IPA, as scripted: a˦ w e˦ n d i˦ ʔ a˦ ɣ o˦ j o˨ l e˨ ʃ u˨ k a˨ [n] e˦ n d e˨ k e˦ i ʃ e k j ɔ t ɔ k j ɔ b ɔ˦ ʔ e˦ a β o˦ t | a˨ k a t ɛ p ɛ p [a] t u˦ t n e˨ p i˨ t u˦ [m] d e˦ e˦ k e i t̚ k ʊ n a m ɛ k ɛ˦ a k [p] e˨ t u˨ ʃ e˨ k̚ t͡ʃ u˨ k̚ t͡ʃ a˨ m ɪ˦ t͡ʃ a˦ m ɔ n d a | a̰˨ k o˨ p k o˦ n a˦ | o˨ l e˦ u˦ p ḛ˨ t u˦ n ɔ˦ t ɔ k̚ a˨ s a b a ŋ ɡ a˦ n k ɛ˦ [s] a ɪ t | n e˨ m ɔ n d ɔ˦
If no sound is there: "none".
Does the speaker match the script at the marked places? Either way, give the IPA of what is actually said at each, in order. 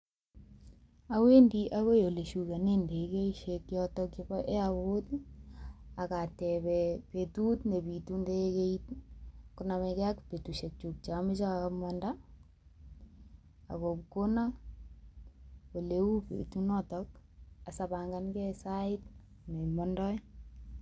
n, e, n, p, s

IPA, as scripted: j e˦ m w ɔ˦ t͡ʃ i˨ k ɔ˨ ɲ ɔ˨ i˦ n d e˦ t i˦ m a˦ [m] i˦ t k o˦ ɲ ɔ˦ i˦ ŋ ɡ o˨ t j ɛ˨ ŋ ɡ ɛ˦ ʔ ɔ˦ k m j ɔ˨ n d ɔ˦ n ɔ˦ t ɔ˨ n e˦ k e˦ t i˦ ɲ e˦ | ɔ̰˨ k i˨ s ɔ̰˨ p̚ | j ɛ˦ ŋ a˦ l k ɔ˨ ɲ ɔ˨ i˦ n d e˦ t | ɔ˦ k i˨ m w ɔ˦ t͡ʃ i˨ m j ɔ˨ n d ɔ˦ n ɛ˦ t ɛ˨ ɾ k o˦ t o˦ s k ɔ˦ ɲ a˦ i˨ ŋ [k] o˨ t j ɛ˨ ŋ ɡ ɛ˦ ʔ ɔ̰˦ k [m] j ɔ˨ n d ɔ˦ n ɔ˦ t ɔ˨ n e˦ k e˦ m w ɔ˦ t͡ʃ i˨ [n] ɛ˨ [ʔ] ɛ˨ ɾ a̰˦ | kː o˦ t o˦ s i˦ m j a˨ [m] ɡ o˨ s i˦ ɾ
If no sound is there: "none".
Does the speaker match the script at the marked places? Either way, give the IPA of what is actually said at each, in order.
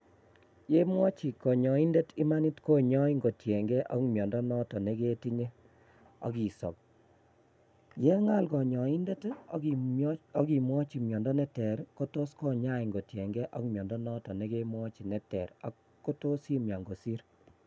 n, ɡ, m, n, t, ŋ

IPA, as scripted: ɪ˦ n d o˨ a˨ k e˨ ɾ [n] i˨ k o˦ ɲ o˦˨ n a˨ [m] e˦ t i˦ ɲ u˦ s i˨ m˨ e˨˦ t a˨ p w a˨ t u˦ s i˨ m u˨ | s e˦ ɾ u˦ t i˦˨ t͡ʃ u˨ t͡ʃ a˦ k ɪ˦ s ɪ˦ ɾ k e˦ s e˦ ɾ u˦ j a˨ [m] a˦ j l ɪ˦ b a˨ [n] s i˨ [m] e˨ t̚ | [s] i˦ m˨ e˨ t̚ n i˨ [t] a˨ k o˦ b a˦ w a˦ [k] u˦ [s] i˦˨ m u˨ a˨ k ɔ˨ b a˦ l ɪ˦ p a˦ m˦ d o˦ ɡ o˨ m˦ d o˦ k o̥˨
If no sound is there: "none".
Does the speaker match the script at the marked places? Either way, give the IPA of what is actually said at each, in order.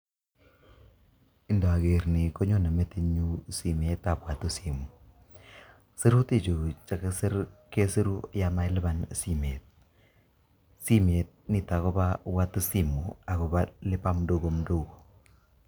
n, m, m, n, m, s, t, t, s

